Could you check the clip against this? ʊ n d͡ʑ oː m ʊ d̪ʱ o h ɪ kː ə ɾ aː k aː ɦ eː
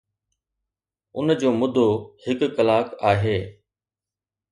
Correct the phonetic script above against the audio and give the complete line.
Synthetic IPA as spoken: ʊ n d͡ʑ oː m ʊ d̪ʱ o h ɪ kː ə l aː k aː ɦ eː